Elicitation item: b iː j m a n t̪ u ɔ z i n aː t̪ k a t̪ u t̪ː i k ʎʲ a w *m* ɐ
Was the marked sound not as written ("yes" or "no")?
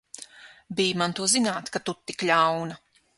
yes